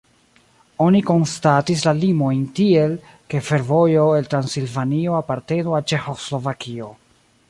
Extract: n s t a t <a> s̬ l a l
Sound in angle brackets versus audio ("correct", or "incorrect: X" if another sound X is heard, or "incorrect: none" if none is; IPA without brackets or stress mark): incorrect: i